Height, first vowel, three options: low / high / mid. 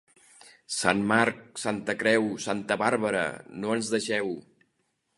low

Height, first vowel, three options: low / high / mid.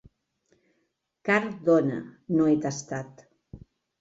low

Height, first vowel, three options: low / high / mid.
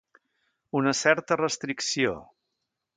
high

